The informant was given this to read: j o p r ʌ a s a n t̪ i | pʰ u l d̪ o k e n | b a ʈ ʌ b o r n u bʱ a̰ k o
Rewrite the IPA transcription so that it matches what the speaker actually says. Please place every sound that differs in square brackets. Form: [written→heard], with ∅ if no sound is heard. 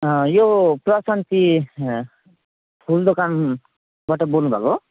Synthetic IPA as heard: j o p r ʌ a s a n t̪ i | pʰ u l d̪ o k [e→a] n | b a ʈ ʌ b o [r→l] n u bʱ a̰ k o